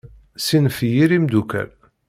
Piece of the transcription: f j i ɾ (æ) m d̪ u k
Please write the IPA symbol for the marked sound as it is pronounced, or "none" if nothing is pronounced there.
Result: i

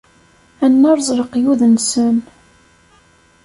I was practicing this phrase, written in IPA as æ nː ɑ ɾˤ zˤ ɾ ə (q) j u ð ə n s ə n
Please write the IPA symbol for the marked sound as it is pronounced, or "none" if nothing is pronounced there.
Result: q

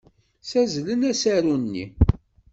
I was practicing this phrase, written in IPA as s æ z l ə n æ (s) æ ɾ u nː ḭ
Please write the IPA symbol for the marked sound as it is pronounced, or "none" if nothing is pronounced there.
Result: s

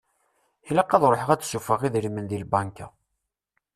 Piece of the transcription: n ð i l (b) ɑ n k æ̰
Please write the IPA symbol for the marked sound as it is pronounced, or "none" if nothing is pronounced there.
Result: b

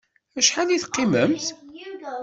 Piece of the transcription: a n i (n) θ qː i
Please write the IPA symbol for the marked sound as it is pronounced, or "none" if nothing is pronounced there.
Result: none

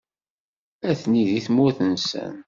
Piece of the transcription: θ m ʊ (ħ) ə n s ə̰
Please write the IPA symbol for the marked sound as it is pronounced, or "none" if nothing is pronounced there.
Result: θ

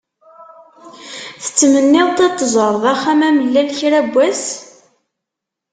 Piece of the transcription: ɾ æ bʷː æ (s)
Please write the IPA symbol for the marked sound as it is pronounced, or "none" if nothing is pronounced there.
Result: s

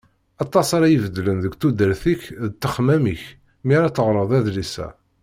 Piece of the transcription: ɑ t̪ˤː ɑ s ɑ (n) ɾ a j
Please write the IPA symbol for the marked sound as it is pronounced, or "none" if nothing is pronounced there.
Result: none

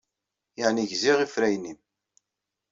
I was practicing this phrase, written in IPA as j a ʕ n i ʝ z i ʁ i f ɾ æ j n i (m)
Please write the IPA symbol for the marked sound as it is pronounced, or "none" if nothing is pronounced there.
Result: m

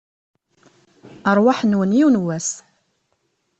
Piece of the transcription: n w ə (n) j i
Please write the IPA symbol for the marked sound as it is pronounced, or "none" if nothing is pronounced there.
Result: n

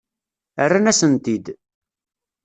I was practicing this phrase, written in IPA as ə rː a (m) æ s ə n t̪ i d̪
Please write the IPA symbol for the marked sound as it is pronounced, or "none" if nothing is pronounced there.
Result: n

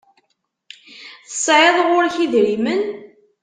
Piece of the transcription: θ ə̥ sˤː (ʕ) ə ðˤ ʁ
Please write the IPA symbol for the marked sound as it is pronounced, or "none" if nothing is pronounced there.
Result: ʕ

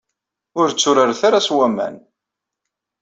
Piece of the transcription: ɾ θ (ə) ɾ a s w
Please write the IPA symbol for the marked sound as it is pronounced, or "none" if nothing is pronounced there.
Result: a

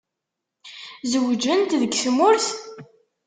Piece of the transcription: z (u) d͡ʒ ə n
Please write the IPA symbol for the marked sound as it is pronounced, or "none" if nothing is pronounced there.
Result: w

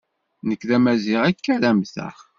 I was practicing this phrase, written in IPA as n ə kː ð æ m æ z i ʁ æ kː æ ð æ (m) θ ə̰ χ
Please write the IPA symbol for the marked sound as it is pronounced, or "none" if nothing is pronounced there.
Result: m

